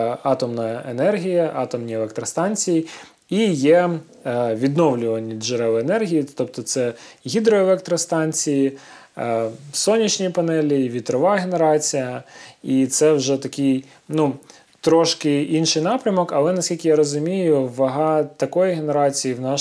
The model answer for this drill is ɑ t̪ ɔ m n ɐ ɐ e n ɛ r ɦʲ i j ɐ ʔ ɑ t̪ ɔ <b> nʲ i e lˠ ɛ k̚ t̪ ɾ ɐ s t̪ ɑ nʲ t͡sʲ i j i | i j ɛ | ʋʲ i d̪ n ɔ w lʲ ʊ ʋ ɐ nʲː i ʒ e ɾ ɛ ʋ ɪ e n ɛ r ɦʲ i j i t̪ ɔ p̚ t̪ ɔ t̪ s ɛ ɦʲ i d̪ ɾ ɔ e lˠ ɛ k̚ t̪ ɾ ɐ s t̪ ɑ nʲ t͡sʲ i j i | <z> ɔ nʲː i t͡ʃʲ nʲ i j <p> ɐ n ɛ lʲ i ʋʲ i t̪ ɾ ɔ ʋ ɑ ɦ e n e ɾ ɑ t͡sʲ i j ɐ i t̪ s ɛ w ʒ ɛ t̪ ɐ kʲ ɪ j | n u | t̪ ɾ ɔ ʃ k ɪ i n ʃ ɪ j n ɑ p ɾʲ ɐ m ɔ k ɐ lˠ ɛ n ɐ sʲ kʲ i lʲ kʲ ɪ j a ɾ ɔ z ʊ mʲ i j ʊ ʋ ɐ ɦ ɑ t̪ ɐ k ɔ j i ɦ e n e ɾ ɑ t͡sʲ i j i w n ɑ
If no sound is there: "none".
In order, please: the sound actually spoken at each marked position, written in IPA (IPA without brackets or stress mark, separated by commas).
m, s, p